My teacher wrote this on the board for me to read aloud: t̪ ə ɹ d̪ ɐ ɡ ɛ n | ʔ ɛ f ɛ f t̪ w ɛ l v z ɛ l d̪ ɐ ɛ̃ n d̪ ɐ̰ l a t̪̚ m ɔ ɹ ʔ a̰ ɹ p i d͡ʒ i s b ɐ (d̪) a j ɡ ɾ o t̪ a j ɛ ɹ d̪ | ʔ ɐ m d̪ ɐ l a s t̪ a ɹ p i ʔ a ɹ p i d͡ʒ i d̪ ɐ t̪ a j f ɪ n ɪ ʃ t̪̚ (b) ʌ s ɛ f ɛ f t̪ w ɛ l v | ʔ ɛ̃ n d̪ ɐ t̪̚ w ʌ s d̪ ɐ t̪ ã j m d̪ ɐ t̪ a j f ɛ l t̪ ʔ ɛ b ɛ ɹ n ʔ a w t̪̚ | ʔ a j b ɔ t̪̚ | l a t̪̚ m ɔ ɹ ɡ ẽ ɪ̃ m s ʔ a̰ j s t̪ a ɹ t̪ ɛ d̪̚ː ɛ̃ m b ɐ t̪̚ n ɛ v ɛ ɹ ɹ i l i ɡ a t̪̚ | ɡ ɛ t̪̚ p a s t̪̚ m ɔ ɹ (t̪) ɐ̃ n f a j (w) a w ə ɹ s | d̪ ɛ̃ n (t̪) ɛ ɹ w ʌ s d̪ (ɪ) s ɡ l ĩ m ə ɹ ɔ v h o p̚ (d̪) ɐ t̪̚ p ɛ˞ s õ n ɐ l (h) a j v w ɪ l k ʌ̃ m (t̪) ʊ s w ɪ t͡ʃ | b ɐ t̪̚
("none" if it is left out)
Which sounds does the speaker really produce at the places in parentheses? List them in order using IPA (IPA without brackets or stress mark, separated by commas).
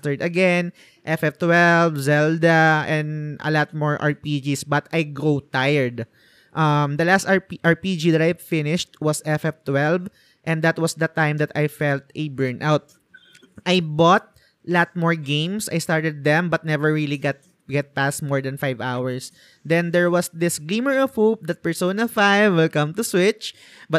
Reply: t̪, w, d̪, v, d̪, ɪ, d̪, f, t̪